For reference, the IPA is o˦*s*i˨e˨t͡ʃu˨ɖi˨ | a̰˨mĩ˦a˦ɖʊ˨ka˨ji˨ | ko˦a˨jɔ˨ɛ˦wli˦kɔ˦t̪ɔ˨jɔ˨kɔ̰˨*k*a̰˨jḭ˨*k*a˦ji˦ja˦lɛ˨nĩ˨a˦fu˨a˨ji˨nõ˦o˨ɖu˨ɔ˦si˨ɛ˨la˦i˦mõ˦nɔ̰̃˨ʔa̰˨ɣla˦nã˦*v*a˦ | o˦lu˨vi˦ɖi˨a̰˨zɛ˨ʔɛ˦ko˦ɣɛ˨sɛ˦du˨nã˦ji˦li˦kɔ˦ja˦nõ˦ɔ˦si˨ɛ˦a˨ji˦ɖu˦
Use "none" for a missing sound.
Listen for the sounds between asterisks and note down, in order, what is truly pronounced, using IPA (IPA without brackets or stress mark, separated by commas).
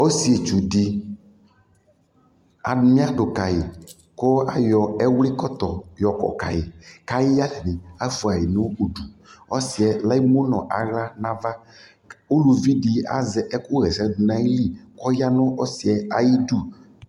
s, k, k, v